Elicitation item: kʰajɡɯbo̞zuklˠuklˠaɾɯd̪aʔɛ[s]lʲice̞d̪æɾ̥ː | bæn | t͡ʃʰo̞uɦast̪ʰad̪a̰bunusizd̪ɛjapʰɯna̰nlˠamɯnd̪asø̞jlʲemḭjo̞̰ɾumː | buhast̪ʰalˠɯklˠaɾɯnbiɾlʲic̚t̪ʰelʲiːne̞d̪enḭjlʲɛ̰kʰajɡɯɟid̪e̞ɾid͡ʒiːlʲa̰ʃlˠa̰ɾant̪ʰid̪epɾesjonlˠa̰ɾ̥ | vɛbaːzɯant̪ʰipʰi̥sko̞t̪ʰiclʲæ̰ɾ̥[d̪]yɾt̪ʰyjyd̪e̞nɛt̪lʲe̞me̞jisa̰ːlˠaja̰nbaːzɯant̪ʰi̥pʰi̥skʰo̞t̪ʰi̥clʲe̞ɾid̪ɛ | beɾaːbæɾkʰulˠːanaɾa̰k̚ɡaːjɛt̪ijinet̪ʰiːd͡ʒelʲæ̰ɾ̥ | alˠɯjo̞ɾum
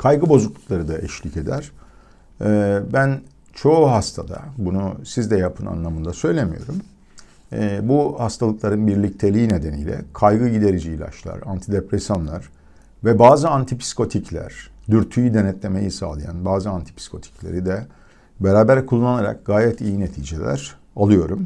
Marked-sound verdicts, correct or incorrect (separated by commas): incorrect, correct